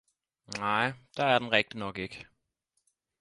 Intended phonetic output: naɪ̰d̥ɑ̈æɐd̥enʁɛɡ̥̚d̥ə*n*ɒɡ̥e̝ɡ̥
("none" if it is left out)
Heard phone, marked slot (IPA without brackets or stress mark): n